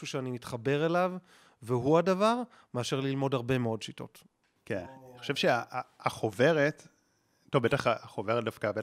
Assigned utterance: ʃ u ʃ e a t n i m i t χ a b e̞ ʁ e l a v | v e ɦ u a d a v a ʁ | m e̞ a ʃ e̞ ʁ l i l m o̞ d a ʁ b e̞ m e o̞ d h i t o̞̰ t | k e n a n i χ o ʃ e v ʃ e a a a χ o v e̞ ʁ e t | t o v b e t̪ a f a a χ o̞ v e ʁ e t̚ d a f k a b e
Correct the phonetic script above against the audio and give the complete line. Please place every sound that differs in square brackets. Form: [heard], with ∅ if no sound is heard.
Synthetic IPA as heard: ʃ u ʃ e a [∅] n i m i t χ a b e̞ ʁ e l a v | v e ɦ u a d a v a ʁ | m e̞ a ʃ e̞ ʁ l i l m o̞ d a ʁ b e̞ m e o̞ d [ʃ] i t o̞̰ t | k e n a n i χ o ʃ e v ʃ e a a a χ o v e̞ ʁ e t | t o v b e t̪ a [χ] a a χ o̞ v e ʁ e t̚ d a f k a b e